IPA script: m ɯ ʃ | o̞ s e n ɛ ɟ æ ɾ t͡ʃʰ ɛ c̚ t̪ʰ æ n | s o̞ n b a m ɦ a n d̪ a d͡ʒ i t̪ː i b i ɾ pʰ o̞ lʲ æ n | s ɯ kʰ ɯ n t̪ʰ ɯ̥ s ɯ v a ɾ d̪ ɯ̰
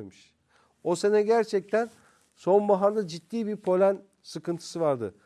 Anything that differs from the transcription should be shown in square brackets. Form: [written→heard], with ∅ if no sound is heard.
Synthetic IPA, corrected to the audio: m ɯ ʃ | o̞ s e n ɛ ɟ æ ɾ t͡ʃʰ ɛ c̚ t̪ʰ æ n | s o̞ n b a [m→∅] ɦ a n d̪ a d͡ʒ i t̪ː [i→iː] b i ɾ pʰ o̞ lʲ æ n | s ɯ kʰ ɯ n t̪ʰ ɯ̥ s ɯ v a ɾ d̪ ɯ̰